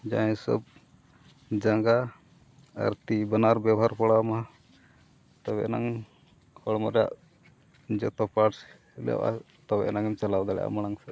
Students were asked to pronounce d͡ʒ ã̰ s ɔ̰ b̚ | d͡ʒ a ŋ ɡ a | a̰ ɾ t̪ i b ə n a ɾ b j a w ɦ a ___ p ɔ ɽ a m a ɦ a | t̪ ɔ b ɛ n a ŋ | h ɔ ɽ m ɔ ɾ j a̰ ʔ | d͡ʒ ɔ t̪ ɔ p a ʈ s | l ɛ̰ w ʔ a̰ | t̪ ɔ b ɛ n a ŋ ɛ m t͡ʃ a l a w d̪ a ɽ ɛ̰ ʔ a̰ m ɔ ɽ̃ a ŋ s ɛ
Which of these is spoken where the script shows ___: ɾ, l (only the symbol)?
ɾ